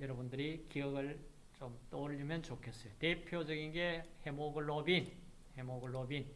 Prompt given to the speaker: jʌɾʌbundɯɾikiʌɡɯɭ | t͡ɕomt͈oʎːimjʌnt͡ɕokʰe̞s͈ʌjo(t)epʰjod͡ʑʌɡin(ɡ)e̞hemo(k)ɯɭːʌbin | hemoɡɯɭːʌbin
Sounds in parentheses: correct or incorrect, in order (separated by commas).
correct, correct, incorrect